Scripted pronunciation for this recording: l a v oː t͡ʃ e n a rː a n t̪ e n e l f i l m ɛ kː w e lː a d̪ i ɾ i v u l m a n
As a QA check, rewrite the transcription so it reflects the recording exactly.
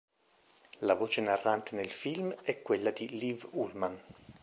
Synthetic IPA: l a v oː t͡ʃ e n a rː a n t̪ e n e l f i l m ɛ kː w e lː a d̪ i l i v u l m a n